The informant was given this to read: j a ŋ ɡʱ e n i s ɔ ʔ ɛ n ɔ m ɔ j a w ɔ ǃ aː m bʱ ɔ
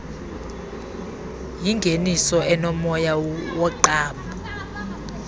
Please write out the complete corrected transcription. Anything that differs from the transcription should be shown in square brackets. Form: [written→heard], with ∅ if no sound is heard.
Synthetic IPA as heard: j [a→i] ŋ ɡʱ e n i s ɔ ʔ ɛ n ɔ m ɔ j a w ɔ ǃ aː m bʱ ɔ